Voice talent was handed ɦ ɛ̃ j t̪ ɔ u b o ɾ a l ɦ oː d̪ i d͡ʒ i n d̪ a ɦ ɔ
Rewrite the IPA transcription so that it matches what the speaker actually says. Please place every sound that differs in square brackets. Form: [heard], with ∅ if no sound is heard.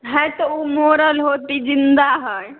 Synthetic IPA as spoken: ɦ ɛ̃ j t̪ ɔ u [m] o ɾ [ə] l ɦ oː [t̪] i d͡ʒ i n d̪ a ɦ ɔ